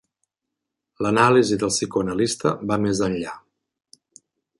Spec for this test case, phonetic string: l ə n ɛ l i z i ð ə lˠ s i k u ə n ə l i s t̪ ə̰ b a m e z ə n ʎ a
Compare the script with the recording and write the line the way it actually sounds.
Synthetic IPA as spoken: l ə n a l i z i ð ə lˠ s i k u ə n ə l i s t̪ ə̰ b a m e z ə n ʎ a